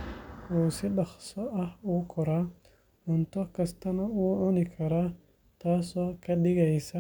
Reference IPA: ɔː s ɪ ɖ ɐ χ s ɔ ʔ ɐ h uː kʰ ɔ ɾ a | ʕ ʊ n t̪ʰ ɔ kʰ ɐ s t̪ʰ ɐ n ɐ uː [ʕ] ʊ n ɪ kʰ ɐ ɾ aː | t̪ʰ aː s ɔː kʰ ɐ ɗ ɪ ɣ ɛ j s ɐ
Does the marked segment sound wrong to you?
no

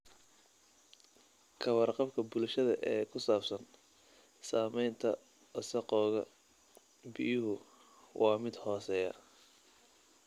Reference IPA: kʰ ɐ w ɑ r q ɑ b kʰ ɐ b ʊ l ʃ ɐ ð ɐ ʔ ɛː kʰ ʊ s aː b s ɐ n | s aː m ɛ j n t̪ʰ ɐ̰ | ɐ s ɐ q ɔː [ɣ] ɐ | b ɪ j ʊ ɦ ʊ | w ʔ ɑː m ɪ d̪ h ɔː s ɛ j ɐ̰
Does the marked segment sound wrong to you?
no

